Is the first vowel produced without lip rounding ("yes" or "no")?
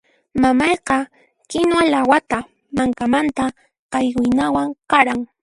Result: yes